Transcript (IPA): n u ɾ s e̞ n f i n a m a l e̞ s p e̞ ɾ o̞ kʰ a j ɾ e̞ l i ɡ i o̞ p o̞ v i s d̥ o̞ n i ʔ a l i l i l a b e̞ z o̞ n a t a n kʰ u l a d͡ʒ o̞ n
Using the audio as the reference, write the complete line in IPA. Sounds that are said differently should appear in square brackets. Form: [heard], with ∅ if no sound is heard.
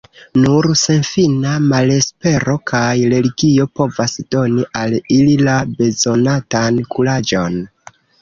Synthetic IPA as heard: n u ɾ s e̞ n f i n a m a l e̞ s p e̞ ɾ o̞ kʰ a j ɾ e̞ l i ɡ i o̞ p o̞ v [a] s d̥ o̞ n i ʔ a l i l i l a b e̞ z o̞ n a t a n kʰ u l a d͡ʒ o̞ n